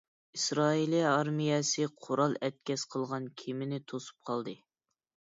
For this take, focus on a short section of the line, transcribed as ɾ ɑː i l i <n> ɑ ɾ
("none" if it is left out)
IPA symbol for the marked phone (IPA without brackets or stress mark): none